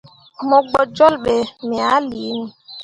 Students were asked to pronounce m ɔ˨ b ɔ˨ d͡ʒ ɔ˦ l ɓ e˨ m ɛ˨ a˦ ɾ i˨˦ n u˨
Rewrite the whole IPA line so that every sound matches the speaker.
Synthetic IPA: m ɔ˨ ɡ͡b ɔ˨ d͡ʒ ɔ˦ l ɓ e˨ m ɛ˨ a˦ l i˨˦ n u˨